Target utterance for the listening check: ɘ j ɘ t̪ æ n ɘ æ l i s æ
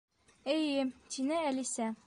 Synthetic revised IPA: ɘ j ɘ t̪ i n ɘ æ l i s æ